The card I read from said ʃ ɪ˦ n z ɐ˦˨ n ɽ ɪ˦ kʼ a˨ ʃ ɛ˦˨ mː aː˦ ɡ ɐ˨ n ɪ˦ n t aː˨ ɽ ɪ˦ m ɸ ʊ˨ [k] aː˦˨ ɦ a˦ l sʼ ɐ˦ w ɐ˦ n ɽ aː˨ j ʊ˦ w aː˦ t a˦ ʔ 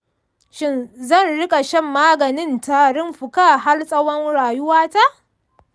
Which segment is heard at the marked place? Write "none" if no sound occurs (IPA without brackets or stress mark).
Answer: k